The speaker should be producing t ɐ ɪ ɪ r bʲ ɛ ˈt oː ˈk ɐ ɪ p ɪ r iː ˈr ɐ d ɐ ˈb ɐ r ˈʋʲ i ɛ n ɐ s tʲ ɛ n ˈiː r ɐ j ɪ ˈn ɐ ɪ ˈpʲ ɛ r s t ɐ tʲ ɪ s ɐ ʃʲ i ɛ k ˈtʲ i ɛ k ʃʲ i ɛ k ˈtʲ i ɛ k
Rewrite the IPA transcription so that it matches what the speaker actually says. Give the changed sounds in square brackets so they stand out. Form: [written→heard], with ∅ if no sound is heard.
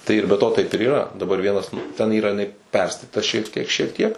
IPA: t ɐ ɪ ɪ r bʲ ɛ ˈt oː [ˈk→ˈt] ɐ ɪ p ɪ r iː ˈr ɐ d ɐ ˈb ɐ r ˈʋʲ i ɛ n ɐ s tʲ ɛ n ˈiː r ɐ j ɪ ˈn ɐ ɪ ˈpʲ ɛ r s t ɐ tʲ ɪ [s→t] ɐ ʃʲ i ɛ k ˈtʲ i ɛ k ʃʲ i ɛ k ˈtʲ i ɛ k